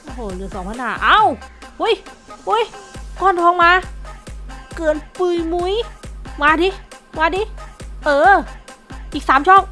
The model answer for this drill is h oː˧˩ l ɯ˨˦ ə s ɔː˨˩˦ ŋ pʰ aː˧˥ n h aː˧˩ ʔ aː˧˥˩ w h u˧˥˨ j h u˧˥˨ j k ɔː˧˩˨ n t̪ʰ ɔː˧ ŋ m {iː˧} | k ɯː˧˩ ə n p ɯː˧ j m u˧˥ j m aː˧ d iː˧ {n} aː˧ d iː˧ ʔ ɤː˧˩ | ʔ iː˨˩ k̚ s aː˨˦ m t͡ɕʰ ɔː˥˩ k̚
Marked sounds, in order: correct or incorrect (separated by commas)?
incorrect, incorrect